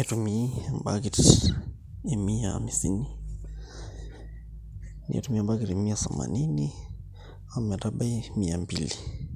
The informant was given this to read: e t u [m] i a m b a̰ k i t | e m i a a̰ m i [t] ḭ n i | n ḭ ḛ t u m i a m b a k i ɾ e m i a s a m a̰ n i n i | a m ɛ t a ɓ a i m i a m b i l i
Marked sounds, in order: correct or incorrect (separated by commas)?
correct, incorrect